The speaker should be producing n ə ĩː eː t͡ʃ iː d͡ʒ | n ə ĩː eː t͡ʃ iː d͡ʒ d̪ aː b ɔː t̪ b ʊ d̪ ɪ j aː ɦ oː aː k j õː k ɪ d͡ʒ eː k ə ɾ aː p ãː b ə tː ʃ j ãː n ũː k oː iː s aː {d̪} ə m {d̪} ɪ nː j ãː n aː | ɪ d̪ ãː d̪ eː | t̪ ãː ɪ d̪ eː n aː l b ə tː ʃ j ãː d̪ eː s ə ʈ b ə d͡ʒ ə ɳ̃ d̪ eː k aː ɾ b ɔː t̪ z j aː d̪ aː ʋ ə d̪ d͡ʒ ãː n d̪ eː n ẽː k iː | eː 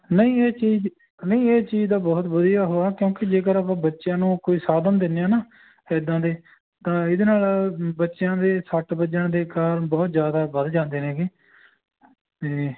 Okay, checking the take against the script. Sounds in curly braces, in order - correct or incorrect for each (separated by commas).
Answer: correct, correct